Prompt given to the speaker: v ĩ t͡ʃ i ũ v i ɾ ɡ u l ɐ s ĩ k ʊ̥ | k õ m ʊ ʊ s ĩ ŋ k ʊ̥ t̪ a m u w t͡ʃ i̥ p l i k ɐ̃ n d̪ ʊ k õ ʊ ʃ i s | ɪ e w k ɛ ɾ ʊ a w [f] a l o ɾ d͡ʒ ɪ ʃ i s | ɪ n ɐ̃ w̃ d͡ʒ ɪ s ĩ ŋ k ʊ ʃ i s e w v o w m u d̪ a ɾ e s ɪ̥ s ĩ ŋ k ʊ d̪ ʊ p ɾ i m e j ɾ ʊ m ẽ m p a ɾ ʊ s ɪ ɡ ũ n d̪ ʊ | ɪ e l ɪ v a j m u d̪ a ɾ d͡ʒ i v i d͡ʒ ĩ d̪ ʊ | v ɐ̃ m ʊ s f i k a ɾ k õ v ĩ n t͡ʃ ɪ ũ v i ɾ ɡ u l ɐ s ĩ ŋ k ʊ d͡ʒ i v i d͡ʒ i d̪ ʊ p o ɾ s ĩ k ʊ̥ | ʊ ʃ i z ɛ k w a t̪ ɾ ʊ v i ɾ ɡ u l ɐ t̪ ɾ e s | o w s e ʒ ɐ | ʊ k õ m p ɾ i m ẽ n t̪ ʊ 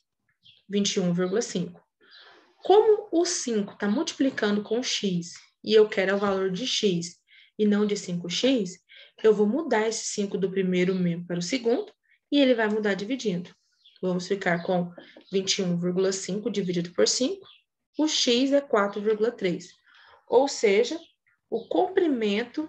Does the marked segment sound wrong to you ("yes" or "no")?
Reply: yes